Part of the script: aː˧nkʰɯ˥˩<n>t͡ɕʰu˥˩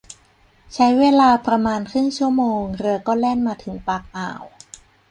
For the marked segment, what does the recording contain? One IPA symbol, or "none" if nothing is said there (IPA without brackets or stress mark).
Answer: ŋ